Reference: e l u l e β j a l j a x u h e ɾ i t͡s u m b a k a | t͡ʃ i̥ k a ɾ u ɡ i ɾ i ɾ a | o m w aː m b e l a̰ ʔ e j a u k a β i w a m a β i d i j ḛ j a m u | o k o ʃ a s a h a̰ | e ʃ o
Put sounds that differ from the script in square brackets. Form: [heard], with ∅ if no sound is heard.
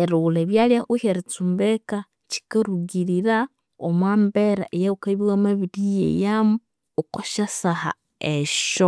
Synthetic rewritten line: e [ɾ] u l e β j a l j a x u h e ɾ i t͡s u m b [e] k a | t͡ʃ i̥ k a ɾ u ɡ i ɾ i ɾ a | o m w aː m b e [ɾ] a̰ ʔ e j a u k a β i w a m a β i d i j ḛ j a m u | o k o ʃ a s a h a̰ | e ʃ o